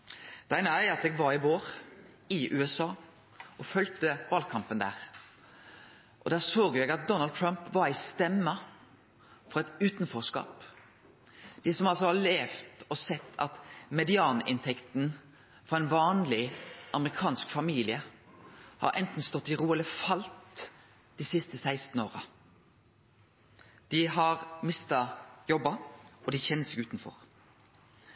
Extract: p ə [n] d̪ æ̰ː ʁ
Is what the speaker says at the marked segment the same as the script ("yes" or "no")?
yes